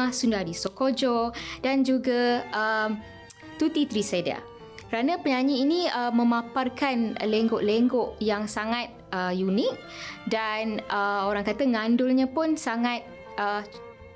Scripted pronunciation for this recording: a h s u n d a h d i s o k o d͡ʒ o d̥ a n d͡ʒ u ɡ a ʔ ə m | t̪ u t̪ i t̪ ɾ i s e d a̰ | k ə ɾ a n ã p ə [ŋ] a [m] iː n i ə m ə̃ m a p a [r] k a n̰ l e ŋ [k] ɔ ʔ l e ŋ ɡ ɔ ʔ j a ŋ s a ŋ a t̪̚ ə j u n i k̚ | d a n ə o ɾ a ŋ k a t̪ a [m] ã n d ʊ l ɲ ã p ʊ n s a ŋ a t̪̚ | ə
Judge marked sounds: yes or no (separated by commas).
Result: no, no, yes, no, no